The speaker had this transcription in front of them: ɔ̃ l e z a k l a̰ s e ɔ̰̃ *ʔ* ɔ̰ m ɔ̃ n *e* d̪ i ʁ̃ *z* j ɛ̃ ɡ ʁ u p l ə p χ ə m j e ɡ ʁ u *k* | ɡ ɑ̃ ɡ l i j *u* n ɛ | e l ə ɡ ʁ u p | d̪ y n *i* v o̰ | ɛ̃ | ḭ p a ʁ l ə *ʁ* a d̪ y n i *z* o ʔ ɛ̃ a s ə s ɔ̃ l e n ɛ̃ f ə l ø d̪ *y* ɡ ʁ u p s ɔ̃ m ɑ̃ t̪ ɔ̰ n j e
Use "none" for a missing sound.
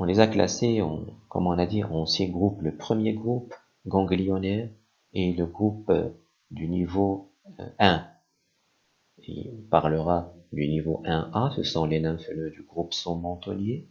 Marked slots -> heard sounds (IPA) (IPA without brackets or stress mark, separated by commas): k, a, s, p, ɔ, i, ʁ, v, y